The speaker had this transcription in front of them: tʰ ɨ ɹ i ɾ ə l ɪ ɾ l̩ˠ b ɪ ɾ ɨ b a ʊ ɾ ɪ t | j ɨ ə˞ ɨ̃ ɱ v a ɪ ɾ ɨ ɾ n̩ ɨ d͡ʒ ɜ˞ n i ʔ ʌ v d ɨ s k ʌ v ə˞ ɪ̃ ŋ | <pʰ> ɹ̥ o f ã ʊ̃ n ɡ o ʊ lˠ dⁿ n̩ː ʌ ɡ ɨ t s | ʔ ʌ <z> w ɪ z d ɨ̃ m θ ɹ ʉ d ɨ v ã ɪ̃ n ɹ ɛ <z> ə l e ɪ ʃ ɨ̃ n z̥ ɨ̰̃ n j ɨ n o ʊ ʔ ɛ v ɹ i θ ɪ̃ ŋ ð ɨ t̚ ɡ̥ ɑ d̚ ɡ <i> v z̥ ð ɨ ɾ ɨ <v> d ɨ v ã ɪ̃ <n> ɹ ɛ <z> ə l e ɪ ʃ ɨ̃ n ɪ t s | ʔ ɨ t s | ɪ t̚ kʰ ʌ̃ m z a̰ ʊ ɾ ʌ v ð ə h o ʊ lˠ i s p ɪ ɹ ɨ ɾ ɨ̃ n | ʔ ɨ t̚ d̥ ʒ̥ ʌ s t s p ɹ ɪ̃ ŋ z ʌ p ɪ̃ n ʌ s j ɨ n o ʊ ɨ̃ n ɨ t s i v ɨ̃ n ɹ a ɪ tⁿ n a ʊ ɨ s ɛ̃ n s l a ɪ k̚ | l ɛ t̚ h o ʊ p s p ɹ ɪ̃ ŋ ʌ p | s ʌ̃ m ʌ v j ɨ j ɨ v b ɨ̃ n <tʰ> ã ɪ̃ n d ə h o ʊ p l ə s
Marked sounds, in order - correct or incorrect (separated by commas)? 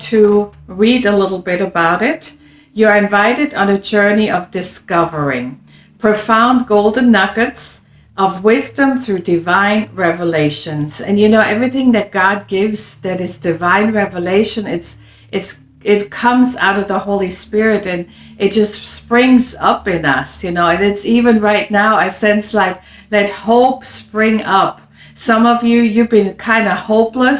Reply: correct, incorrect, incorrect, incorrect, incorrect, correct, incorrect, incorrect